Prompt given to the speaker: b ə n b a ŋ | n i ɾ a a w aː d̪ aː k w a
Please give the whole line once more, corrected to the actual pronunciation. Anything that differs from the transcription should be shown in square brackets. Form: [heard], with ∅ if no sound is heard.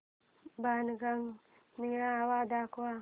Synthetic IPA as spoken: b [a] n [ɡ] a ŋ | n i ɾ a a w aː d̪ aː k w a